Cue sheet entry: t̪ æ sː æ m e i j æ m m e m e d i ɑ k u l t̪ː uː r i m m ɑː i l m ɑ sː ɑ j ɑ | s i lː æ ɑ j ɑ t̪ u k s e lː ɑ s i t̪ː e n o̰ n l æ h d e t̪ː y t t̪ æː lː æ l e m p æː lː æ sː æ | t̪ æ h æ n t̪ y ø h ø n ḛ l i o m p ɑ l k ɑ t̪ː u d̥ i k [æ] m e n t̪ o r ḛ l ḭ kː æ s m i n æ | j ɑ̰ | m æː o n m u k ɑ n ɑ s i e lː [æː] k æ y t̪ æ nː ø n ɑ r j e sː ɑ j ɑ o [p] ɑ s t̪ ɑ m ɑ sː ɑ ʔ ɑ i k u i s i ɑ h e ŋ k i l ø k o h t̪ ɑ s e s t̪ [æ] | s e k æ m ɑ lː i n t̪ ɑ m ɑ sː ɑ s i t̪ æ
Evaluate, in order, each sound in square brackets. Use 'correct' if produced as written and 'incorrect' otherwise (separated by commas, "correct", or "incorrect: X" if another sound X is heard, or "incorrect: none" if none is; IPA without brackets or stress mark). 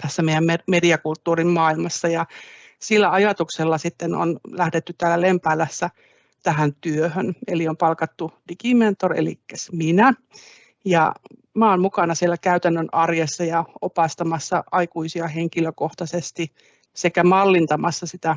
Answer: incorrect: i, incorrect: æ, correct, incorrect: i